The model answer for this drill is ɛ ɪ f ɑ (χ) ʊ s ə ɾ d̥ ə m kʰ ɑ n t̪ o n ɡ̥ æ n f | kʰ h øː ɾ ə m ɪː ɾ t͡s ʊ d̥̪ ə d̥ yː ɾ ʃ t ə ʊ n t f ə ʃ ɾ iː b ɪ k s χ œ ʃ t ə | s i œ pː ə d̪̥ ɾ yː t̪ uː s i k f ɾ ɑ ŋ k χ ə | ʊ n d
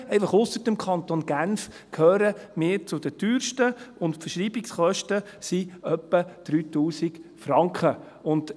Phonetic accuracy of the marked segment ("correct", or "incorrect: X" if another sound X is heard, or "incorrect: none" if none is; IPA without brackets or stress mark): correct